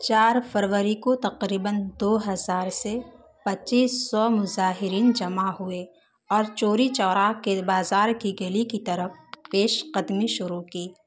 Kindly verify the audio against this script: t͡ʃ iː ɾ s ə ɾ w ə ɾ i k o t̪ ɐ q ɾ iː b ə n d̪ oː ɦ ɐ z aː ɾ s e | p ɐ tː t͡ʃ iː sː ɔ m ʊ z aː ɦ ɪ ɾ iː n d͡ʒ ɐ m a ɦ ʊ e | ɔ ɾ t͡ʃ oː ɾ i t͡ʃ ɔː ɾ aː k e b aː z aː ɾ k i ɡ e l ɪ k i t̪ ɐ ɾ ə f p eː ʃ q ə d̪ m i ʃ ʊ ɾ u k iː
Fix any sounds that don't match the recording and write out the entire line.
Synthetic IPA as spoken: t͡ʃ aː ɾ f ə ɾ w ə ɾ i k o t̪ ɐ q ɾ iː b ə n d̪ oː ɦ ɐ z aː ɾ s e | p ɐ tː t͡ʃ iː sː ɔ m ʊ z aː ɦ ɪ ɾ iː n d͡ʒ ɐ m a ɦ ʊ e | ɔː ɾ t͡ʃ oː ɾ i t͡ʃ ɔː ɾ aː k e b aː z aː ɾ k i ɡ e l i k i t̪ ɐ ɾ ə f p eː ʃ q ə d̪ m i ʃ ʊ ɾ u k iː